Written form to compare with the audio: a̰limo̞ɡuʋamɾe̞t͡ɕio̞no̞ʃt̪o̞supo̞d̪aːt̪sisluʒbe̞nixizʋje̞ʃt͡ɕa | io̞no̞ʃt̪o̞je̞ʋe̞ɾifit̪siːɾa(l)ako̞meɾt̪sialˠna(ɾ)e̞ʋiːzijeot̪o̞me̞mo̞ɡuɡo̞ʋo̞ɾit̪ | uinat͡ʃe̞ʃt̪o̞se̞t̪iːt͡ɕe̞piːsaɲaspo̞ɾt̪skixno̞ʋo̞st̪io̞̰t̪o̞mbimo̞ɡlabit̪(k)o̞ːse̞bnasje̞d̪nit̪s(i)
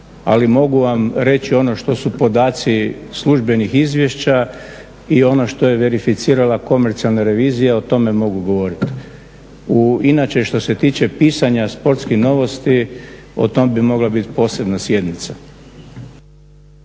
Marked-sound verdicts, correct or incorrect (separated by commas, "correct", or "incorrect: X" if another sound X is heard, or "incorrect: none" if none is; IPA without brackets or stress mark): correct, correct, incorrect: p, incorrect: a